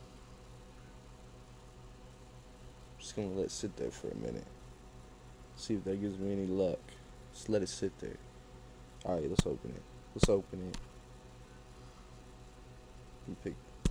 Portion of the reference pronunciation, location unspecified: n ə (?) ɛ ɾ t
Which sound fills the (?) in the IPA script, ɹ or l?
l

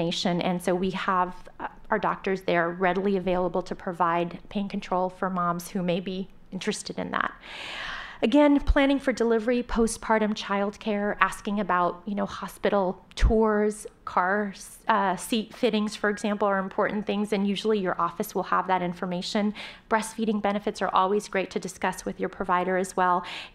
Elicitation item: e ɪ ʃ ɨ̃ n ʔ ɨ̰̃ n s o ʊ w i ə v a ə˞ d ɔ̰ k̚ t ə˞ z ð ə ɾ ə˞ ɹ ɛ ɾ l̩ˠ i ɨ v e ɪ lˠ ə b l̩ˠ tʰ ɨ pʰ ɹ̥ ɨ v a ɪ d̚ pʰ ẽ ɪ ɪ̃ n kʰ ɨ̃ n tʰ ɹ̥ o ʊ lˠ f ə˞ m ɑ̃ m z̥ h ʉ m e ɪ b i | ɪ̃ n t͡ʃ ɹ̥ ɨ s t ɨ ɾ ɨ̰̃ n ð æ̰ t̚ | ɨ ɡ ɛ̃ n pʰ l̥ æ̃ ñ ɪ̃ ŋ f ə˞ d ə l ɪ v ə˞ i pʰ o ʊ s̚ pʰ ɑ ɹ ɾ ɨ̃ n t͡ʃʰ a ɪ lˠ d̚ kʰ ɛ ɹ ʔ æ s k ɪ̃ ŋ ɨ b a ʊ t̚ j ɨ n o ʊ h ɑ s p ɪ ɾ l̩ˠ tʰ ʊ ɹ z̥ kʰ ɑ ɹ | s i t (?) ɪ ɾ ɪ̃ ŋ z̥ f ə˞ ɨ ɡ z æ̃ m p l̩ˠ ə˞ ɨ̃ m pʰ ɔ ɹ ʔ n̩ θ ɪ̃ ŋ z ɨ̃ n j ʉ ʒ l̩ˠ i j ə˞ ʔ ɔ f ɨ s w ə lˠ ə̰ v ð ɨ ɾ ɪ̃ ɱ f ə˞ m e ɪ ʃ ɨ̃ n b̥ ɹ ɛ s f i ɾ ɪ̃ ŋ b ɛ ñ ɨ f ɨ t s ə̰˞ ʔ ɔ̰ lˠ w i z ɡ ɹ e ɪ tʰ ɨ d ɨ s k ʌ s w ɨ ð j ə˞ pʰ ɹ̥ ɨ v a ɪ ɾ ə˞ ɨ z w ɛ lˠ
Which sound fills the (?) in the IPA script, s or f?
f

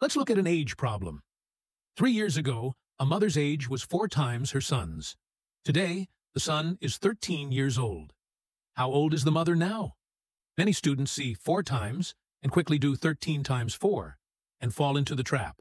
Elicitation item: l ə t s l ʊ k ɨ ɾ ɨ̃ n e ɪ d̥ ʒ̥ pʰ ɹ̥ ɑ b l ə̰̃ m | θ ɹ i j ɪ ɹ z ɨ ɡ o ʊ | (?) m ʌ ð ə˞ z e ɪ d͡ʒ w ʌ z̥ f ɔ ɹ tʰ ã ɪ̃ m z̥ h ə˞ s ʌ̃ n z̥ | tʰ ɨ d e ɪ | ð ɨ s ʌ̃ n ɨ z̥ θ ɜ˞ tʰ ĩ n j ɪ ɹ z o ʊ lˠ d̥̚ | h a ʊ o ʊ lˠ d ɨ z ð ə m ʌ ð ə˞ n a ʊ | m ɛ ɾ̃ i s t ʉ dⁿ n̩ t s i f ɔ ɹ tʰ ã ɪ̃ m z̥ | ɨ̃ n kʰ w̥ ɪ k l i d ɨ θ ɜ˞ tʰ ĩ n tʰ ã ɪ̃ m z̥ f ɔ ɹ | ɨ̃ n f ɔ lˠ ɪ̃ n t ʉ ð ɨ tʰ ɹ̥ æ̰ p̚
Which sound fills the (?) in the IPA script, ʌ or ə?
ə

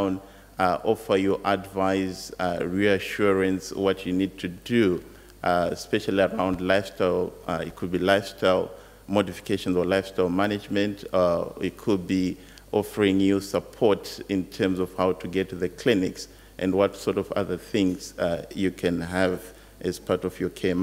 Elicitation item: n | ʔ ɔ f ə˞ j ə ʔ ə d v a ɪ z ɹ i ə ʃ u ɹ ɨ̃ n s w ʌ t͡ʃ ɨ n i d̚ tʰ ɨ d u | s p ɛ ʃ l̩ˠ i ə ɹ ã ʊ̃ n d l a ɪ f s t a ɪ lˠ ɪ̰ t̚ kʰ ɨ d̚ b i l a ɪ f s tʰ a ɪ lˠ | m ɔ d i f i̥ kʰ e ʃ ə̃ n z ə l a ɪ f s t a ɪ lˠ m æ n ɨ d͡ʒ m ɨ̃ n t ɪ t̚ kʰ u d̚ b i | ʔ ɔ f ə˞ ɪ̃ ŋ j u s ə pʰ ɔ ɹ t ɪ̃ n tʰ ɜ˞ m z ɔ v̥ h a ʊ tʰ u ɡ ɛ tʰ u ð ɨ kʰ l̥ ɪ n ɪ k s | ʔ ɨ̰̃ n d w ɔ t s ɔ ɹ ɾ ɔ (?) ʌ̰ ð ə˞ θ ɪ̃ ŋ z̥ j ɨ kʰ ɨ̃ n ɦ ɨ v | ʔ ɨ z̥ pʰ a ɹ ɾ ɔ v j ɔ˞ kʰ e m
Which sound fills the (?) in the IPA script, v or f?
v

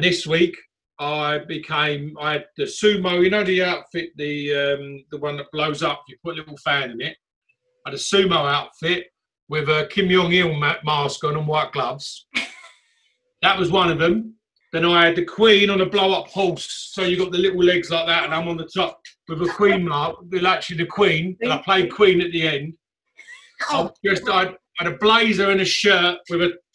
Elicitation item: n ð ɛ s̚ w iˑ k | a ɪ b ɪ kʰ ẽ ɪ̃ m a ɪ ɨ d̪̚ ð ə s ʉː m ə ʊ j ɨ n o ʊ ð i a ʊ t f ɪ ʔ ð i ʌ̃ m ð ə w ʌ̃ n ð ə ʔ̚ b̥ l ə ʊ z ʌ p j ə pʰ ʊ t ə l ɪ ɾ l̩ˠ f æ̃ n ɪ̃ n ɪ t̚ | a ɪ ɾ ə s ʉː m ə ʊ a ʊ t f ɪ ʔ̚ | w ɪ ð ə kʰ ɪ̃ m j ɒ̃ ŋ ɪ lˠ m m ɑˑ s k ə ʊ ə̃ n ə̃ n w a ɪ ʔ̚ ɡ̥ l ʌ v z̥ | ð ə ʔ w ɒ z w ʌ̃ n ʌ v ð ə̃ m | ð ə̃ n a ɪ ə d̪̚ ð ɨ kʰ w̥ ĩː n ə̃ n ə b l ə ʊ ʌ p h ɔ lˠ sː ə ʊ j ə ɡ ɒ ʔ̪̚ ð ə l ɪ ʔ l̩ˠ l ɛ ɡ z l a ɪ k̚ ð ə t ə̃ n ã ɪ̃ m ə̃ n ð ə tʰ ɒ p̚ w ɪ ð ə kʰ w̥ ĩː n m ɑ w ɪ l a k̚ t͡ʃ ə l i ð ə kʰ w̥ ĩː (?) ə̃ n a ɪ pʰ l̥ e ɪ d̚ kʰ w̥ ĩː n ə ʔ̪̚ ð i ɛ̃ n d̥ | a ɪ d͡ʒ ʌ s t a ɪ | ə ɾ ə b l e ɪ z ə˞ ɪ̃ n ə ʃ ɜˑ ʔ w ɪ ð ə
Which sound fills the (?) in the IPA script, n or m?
n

